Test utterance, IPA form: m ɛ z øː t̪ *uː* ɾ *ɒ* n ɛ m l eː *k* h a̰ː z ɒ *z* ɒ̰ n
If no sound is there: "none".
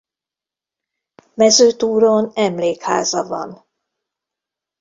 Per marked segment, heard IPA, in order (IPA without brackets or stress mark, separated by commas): uː, o, k, v